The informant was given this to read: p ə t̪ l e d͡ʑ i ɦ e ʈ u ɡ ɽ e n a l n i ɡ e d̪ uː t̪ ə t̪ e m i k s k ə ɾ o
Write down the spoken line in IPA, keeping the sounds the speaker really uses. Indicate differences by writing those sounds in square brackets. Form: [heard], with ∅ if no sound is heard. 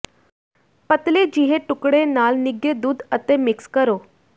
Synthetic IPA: p ə t̪ l e d͡ʑ i ɦ e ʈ u [k] ɽ e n a l n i ɡ e d̪ uː [d̪] ə t̪ e m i k s k ə ɾ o